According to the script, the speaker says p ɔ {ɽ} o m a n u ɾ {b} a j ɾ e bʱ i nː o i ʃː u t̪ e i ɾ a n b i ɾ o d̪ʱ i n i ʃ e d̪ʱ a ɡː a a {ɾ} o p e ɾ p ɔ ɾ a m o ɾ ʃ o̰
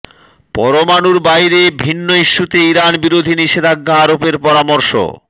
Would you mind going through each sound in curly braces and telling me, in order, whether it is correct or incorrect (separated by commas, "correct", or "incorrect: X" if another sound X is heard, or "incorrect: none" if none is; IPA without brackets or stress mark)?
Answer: incorrect: ɾ, correct, correct